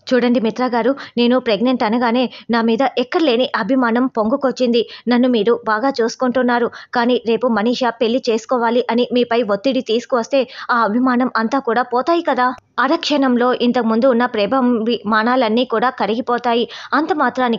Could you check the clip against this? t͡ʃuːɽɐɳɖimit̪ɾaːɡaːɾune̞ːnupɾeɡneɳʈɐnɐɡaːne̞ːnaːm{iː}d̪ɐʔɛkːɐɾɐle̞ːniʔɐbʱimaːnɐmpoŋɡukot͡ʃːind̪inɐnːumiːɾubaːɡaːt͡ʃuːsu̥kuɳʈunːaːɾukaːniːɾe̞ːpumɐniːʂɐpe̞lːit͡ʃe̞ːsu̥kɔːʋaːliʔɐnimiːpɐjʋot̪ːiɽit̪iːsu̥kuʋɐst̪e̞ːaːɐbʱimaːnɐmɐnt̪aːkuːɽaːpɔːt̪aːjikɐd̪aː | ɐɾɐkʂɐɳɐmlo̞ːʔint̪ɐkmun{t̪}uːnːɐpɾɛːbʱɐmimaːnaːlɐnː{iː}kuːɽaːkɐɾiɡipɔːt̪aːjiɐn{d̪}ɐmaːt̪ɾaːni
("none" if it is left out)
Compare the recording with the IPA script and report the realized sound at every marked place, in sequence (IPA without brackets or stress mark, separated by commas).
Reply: iː, d̪, iː, t̪